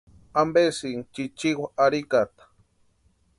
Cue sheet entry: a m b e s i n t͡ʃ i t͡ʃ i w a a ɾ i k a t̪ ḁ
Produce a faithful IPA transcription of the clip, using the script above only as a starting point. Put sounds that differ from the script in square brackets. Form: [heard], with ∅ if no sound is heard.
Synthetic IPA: a m b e s i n t͡ʃ i t͡ʃ i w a a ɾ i k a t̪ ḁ